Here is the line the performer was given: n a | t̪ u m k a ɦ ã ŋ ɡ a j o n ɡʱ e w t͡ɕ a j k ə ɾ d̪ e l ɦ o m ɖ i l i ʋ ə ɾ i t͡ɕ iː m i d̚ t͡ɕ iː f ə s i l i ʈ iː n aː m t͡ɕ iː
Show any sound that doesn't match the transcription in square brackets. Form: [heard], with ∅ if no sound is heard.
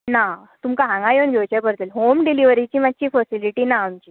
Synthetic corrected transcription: n a | t̪ u m k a ɦ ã ŋ ɡ a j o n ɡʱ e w t͡ɕ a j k ə ɾ [t̪] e l ɦ o m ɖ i l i ʋ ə ɾ i t͡ɕ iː m [a] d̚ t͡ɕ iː f ə s i l i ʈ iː n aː m t͡ɕ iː